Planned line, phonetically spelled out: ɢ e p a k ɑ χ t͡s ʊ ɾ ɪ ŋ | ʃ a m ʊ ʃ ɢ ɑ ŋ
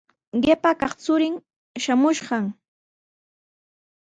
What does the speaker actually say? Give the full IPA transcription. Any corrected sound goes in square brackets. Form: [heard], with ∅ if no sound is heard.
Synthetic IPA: ɢ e p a k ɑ χ t͡s ʊ ɾ ɪ ŋ | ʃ a m ʊ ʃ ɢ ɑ ŋ